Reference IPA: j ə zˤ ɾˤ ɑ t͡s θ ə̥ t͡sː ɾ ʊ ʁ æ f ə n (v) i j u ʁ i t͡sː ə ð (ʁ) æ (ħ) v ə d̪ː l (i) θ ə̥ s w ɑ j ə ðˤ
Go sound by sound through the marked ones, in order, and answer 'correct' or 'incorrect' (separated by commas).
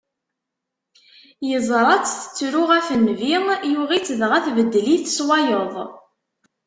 correct, correct, incorrect, correct